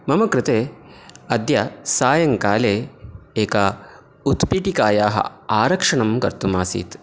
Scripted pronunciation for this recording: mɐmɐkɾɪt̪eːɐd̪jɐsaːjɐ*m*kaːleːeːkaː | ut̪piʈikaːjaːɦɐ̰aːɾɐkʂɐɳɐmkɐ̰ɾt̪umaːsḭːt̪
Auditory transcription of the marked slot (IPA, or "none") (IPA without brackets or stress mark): ŋ